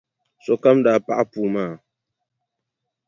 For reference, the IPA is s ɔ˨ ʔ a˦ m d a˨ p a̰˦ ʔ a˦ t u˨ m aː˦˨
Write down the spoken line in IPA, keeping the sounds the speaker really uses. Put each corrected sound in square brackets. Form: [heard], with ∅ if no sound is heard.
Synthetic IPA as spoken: s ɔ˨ [k] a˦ m d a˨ p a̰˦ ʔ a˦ [p] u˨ m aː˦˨